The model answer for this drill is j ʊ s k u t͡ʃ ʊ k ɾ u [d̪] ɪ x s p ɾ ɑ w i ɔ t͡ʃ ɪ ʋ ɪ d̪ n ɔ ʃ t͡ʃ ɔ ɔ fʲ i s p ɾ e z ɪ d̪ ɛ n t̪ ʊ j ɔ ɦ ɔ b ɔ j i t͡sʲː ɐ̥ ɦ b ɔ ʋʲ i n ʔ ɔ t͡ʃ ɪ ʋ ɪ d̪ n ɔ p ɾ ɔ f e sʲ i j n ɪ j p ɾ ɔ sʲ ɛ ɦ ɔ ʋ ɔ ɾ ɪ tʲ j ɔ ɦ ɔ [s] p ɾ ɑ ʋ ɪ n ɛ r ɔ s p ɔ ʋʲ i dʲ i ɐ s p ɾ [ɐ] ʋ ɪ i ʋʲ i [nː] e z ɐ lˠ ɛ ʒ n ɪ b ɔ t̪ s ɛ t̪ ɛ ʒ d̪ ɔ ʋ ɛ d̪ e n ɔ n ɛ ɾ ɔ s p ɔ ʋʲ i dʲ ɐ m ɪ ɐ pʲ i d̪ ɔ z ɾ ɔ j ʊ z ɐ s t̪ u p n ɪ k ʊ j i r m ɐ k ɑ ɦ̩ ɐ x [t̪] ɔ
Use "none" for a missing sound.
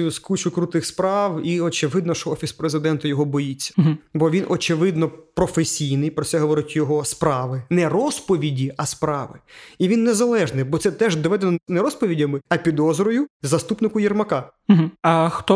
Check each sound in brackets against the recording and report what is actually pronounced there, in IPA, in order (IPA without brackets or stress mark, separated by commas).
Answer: t̪, s, ɑ, nː, t̪